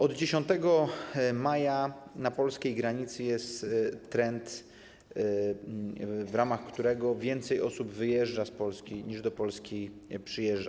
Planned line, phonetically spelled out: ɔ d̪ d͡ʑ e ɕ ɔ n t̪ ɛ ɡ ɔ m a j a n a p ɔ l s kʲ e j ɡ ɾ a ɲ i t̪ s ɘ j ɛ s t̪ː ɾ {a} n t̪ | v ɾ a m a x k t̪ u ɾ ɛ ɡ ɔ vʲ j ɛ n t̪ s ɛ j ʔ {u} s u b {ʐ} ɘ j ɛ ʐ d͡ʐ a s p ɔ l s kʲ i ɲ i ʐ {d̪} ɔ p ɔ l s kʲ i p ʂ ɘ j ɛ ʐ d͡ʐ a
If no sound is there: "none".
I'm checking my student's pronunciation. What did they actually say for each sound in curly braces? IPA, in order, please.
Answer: ɛ, ɔ, v, d̪

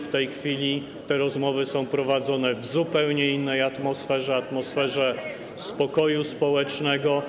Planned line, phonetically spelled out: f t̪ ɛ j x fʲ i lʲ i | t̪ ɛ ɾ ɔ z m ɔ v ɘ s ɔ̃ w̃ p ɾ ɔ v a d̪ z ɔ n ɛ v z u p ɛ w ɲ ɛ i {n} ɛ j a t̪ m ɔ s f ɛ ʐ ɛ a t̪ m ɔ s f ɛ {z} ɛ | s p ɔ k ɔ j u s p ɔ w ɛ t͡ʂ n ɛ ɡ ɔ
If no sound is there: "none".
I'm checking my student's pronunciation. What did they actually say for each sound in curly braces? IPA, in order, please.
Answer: nː, ʐ

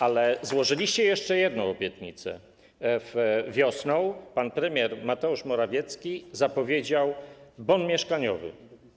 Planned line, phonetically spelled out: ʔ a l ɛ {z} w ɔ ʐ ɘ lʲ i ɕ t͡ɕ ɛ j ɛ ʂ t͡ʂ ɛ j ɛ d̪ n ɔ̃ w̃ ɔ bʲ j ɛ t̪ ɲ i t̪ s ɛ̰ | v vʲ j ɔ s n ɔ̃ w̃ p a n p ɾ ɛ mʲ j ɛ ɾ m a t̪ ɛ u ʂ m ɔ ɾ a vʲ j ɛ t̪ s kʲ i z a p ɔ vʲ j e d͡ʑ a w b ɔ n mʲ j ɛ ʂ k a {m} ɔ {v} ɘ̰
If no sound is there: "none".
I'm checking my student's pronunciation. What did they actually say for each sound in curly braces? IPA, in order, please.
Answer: z, ɲ, v

